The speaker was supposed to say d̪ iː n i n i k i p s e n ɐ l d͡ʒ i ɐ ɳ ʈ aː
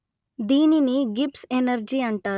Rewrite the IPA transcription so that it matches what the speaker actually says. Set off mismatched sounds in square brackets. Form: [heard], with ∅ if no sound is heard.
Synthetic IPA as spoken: d̪ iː n i n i [ɡ] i p s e n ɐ [ɾ] d͡ʒ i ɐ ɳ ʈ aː